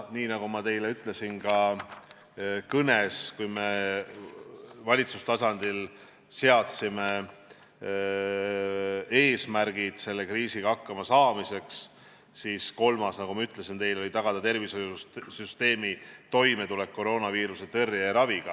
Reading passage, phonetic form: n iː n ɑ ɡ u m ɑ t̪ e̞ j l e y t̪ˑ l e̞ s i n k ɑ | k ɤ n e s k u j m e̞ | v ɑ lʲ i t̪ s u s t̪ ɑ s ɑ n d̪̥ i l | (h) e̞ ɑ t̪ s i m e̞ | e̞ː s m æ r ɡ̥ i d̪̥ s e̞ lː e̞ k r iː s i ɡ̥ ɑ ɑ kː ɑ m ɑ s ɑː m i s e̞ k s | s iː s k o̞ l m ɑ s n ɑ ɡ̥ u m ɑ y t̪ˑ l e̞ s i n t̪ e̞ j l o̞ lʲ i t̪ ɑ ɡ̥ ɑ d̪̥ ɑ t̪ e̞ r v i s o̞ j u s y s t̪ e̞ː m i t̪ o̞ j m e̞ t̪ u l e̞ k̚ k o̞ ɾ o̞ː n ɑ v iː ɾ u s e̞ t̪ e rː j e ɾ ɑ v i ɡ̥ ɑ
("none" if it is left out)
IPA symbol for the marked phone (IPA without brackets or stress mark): s